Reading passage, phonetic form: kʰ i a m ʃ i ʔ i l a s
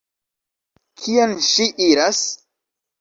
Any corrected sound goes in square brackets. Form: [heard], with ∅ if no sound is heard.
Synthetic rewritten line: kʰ i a [n] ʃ i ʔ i [ɾ] a s